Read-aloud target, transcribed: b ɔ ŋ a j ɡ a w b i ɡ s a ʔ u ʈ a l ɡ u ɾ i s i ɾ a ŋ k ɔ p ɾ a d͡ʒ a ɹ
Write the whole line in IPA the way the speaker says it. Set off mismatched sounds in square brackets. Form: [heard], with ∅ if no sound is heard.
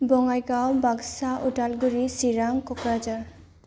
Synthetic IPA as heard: b ɔ ŋ a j ɡ a w b [a] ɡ s a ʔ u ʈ a l ɡ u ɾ i s i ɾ a ŋ k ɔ [k] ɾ a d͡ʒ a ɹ